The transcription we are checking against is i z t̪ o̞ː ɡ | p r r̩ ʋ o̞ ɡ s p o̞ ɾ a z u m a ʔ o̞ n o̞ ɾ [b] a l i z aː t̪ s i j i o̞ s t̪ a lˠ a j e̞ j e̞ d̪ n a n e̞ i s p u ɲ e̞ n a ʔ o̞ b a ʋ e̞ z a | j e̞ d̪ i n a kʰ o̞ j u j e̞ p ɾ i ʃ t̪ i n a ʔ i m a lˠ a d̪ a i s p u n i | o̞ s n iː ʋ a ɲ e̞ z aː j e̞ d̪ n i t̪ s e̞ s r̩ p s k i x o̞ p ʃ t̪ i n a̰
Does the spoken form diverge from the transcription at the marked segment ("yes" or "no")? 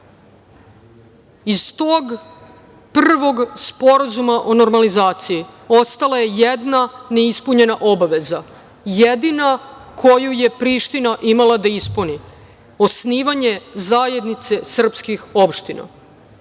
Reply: yes